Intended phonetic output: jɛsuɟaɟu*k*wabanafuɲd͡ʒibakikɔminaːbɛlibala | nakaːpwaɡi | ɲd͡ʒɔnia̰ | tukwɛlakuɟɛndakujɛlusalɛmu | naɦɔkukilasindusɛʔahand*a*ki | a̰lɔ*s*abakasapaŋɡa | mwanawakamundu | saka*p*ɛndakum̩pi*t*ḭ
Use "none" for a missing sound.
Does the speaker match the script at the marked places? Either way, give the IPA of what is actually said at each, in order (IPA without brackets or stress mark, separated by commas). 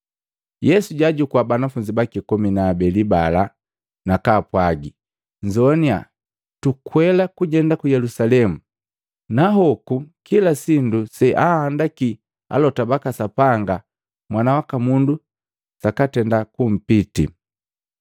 k, a, t, t, t